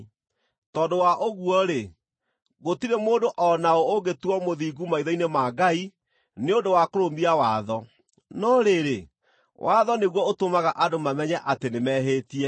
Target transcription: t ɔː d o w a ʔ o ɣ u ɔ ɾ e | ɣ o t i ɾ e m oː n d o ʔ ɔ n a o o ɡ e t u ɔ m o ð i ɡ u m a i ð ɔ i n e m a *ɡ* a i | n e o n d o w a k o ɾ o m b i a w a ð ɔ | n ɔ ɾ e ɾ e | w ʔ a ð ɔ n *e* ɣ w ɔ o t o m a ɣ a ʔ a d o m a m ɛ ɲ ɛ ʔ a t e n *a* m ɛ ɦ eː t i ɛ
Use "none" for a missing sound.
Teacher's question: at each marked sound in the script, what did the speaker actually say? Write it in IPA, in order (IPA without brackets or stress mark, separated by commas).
ɡ, e, e